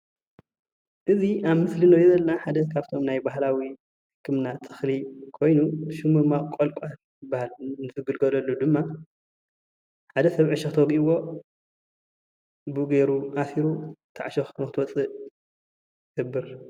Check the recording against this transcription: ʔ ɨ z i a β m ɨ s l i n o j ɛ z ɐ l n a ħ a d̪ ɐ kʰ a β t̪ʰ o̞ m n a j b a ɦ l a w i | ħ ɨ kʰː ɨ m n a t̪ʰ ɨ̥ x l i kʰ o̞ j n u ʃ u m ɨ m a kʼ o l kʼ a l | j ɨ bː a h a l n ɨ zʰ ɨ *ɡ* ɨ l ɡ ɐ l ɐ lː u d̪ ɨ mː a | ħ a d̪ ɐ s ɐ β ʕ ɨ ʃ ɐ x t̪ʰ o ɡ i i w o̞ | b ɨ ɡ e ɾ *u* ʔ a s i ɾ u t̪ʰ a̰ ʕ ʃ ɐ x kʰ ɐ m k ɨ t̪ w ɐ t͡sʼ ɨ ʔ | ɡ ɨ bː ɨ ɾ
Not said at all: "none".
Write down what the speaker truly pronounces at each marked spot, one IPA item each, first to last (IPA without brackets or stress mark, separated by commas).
ɡ, u